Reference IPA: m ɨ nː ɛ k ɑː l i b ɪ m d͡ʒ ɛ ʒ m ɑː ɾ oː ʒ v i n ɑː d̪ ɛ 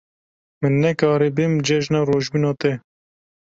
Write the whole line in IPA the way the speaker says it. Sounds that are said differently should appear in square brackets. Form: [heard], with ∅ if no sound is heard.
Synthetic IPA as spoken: m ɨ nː ɛ k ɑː [ɾ] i b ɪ m d͡ʒ ɛ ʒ [n] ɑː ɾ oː ʒ [b] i n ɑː [t̪] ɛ